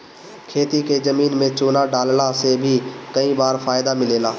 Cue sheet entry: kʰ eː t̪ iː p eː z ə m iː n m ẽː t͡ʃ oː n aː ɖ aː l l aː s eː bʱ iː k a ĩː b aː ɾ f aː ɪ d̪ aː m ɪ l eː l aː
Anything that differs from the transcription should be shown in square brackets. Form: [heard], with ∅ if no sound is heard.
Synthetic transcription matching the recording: kʰ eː t̪ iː [k] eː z ə m iː n m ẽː t͡ʃ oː n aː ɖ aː l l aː s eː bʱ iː k [ə] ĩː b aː ɾ f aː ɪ d̪ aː m ɪ l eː l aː

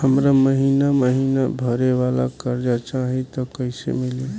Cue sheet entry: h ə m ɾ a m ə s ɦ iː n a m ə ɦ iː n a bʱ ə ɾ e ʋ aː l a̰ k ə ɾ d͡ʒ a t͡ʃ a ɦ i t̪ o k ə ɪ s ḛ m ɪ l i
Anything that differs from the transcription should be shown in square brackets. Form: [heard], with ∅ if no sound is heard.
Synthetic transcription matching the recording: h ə m ɾ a m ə [∅] ɦ iː n a m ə ɦ iː n a bʱ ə ɾ e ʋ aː l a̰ k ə ɾ d͡ʒ a t͡ʃ a ɦ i t̪ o k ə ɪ s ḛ m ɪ l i

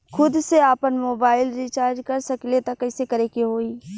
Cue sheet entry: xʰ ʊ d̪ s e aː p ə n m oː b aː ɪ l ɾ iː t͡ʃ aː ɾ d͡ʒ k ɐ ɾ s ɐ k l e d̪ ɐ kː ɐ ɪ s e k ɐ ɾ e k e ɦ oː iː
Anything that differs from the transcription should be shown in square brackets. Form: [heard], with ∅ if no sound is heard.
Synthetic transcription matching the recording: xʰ ʊ d̪ s e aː p ə n m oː b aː ɪ l ɾ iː t͡ʃ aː ɾ d͡ʒ k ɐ ɾ s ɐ k l e [t̪] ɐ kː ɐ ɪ s e k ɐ ɾ e k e ɦ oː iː

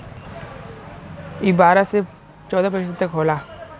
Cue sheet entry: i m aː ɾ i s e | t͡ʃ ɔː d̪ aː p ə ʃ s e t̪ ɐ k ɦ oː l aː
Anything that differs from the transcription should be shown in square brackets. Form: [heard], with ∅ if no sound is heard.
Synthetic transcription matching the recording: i [b] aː ɾ [a] s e | t͡ʃ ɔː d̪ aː p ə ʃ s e t̪ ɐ k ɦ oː l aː

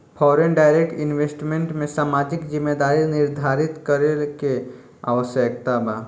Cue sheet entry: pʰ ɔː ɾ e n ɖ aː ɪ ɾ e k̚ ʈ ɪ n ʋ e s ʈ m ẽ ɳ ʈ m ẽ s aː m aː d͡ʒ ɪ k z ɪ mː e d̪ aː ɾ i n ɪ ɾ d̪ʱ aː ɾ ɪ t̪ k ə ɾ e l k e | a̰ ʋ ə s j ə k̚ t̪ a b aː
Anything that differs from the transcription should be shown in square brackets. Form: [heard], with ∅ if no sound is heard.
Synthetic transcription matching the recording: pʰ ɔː ɾ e n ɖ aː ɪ ɾ e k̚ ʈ ɪ n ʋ e s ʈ m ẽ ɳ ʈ m ẽ s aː m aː d͡ʒ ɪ k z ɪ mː e d̪ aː ɾ i n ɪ ɾ d̪ʱ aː ɾ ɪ t̪ k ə ɾ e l k e | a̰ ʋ ə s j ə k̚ t̪ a b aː

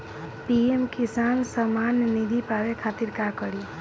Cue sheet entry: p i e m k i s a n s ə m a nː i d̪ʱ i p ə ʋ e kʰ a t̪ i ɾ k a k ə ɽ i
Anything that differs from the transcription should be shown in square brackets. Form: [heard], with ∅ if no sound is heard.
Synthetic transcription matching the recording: p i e m k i s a n s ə m a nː i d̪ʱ i p [a] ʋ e kʰ a t̪ i ɾ k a k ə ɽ i

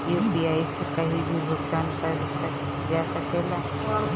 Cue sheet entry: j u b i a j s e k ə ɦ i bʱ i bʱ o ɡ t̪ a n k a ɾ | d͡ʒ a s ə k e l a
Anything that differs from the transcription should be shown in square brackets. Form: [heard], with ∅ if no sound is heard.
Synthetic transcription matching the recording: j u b i a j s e k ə ɦ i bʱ i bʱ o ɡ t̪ a n k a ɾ | d͡ʒ a s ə k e l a

